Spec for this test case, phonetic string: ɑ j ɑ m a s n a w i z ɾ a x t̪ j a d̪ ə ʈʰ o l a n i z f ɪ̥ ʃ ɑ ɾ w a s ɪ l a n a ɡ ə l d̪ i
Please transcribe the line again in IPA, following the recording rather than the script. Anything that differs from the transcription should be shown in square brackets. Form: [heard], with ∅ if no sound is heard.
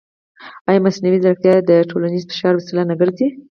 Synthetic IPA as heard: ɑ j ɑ m a s n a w i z ɾ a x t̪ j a d̪ ə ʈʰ o l a n i z f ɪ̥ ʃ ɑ ɾ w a s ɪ l a n a ɡ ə [ɾ] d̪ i